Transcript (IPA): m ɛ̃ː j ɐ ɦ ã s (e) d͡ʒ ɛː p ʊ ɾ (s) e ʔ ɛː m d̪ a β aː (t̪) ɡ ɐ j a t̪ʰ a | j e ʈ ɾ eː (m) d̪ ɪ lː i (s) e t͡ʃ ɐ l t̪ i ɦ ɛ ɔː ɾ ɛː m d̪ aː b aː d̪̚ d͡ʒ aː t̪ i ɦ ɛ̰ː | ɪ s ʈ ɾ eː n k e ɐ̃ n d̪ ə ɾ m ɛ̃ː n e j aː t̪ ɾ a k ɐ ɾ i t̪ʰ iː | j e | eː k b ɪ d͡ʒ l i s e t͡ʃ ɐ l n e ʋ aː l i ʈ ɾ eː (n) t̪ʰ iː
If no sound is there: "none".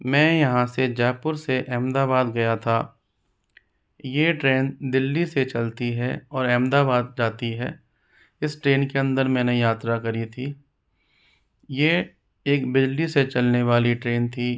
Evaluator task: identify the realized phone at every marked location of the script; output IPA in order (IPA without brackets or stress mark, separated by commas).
e, s, d̪, n, s, n